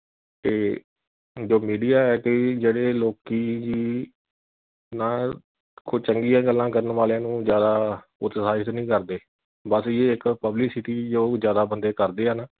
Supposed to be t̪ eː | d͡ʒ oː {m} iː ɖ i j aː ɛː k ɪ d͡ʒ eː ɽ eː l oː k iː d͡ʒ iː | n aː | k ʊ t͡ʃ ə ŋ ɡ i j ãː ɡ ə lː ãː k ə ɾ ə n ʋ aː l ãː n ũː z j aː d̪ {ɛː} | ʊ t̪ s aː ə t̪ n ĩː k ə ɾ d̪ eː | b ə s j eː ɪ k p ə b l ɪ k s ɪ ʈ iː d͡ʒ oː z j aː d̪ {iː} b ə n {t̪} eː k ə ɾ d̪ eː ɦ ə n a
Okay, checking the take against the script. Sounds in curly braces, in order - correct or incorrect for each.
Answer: correct, incorrect: aː, incorrect: aː, incorrect: d̪

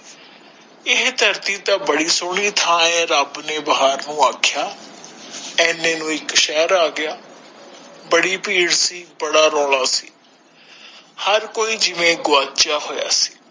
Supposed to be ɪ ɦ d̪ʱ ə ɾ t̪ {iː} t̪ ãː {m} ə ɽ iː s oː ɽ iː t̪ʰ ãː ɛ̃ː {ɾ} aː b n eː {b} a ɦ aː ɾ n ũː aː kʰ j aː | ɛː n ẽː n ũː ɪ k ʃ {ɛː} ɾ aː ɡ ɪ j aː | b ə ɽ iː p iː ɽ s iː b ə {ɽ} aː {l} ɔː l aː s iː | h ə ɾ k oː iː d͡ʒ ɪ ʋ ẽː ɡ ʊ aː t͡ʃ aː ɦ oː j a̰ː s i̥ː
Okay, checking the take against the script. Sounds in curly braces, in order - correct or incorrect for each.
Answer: correct, incorrect: b, correct, correct, correct, correct, incorrect: ɾ

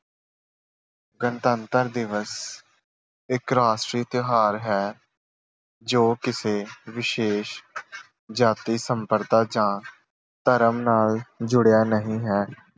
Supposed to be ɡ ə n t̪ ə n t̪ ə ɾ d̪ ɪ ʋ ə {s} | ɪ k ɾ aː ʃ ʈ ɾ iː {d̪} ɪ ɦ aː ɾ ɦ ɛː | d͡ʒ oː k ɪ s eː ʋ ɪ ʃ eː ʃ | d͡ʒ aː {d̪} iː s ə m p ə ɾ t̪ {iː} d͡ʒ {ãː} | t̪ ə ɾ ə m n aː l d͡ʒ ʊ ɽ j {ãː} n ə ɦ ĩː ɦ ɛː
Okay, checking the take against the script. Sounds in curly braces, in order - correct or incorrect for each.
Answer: correct, incorrect: t̪, incorrect: t̪, incorrect: aː, correct, incorrect: aː

